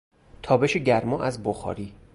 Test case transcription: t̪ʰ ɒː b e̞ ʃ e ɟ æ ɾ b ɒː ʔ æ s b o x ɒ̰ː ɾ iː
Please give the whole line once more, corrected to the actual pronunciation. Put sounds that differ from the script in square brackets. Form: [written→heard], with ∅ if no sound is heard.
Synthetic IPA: t̪ʰ ɒː b e̞ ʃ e ɟ æ ɾ [b→m] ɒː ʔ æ [s→z] b o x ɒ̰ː ɾ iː